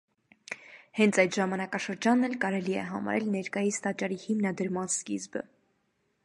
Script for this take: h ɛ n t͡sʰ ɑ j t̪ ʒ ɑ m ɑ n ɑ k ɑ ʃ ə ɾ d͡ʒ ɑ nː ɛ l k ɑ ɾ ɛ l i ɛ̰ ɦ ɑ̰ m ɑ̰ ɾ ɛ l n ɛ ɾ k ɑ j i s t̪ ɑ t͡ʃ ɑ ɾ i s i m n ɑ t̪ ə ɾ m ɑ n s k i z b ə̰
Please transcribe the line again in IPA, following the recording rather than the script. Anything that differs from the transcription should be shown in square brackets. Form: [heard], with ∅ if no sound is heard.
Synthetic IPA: h ɛ n t͡sʰ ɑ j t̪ ʒ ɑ m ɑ n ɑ k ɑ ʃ ə ɾ d͡ʒ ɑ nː ɛ l k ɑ ɾ ɛ l i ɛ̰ ɦ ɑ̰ m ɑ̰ ɾ ɛ l n ɛ ɾ k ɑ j i s t̪ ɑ t͡ʃ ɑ ɾ i [h] i m n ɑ [d̪] ə ɾ m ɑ n s k i z b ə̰